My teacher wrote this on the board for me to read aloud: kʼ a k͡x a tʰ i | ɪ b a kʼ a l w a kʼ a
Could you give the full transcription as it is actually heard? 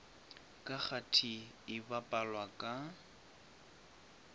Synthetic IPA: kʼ a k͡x a tʰ i | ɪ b a pʼ a l w a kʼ a